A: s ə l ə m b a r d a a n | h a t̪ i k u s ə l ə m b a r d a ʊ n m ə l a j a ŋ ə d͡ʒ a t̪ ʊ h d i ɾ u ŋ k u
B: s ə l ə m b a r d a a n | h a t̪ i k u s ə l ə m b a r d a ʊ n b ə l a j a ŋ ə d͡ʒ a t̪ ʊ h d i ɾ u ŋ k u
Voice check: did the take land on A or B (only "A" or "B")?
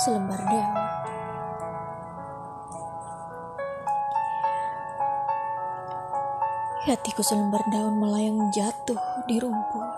A